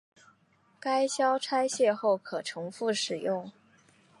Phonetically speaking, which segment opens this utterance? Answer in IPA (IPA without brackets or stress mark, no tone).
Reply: k